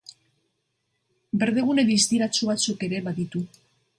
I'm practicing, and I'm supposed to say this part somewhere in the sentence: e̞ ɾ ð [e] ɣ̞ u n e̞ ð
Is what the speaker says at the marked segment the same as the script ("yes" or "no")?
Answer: yes